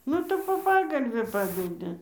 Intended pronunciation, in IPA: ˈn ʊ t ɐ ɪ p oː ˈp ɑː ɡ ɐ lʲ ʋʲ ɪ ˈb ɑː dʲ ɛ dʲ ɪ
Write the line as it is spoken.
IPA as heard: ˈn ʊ t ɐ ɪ p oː ˈp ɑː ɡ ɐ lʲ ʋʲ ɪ ˈp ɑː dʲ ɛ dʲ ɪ

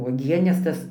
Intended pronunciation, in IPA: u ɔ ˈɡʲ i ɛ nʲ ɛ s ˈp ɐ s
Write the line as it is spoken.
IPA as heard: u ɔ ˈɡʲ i ɛ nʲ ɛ s ˈt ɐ s

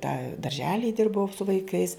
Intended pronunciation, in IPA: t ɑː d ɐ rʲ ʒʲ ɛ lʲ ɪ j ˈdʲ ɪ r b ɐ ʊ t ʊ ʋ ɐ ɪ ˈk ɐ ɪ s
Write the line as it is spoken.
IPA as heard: t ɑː d ɐ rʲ ʒʲ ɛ lʲ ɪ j ˈdʲ ɪ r b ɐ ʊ s ʊ ʋ ɐ ɪ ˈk ɐ ɪ s

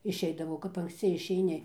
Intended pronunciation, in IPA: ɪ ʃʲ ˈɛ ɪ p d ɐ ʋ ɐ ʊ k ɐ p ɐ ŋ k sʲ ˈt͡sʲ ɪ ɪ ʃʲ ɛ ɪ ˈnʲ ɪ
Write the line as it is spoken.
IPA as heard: ɪ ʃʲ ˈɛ ɪ d ɐ ʋ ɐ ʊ k ɐ p ɐ ŋ k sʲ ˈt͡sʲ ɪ ɪ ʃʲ ɛ ɪ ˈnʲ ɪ

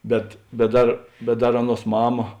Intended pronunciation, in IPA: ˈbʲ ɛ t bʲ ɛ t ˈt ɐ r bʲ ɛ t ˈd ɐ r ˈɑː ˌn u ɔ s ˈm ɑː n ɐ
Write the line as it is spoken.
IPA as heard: ˈbʲ ɛ t bʲ ɛ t ˈd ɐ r bʲ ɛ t ˈd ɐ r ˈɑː ˌn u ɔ s ˈm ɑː m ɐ

